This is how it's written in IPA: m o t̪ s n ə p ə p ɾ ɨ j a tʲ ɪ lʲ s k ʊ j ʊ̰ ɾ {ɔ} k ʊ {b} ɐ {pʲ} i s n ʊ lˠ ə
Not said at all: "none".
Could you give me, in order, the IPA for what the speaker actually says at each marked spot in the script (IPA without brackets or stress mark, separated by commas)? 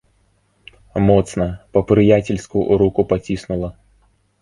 u, p, tʲ